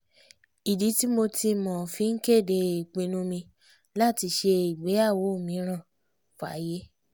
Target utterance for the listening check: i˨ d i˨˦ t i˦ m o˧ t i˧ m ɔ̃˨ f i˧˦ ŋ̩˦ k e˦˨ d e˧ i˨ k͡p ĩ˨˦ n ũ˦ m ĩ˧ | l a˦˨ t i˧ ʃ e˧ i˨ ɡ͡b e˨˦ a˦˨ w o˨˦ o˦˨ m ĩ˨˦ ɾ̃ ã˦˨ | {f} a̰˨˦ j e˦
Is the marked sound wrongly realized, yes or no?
no